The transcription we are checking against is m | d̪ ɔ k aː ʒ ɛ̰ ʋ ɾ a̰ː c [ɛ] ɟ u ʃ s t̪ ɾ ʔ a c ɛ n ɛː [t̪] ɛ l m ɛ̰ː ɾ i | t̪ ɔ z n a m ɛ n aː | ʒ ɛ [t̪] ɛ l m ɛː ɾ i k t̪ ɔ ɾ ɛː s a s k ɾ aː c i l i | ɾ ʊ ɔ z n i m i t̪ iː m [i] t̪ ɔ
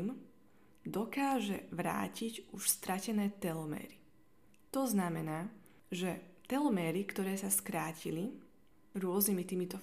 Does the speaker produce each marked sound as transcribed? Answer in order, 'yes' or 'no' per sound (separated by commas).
no, yes, yes, yes